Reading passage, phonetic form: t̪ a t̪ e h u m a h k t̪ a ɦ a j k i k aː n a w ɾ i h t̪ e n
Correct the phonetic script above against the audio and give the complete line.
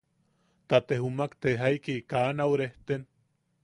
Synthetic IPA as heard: t̪ a t̪ e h u m a k t̪ e ɦ a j k i k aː n a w ɾ e h t̪ e n